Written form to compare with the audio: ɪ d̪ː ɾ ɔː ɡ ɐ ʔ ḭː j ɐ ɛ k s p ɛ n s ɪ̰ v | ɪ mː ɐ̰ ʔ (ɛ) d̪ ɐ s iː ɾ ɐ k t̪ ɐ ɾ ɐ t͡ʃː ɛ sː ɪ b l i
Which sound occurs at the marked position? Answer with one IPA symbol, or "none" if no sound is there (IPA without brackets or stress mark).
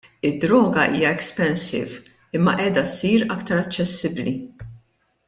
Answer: ɛː